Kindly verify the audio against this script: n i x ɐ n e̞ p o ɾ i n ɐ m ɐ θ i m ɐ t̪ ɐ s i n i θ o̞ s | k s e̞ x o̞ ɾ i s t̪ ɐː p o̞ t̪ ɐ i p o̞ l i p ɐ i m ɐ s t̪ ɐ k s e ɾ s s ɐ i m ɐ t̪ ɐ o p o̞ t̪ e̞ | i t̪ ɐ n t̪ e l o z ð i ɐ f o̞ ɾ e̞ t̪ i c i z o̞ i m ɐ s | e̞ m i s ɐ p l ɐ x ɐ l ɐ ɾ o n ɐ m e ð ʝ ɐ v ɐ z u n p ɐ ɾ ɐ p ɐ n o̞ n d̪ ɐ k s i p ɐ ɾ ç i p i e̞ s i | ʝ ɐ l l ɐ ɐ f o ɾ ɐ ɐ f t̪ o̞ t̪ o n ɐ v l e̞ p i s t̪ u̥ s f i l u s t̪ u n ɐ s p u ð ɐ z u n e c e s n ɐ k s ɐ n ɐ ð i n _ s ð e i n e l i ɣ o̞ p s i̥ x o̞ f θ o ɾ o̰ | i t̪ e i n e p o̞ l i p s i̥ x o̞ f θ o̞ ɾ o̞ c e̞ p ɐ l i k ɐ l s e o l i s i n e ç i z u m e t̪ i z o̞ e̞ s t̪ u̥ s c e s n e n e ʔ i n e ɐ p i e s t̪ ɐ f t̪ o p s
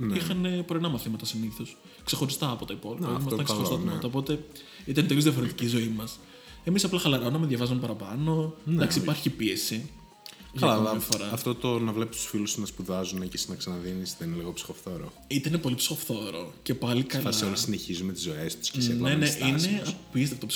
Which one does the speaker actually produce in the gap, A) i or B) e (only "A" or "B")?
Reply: A